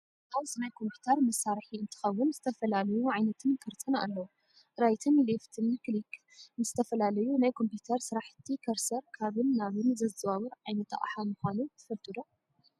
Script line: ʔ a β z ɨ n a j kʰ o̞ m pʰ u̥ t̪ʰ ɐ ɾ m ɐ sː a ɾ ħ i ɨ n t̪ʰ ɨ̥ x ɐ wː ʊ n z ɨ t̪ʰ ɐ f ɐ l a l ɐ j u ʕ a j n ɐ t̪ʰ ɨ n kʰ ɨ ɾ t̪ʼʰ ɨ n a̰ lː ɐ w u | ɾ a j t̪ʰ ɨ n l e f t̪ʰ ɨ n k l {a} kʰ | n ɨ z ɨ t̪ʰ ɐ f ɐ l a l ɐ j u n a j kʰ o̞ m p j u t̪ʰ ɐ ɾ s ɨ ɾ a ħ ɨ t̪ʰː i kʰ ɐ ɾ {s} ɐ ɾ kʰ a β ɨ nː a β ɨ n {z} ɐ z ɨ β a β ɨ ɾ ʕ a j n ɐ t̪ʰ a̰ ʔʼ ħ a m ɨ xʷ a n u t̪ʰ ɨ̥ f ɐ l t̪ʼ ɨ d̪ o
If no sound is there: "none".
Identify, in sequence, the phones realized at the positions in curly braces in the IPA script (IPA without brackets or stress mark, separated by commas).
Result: i, s, z